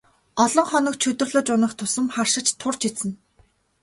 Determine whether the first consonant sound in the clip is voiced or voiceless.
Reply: voiced